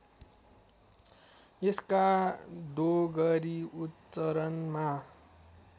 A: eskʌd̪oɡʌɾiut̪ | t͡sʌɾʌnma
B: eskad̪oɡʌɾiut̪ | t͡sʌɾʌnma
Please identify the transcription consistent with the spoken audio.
B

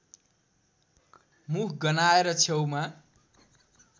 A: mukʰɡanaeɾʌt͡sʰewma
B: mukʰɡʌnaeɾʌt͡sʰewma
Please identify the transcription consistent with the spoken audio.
B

